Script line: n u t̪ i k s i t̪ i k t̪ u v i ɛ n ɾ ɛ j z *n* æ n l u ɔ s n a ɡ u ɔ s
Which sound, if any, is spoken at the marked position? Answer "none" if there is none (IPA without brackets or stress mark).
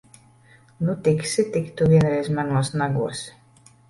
m